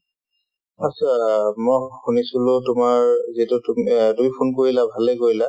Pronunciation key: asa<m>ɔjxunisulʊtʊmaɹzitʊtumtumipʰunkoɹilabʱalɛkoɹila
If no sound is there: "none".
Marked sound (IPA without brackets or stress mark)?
m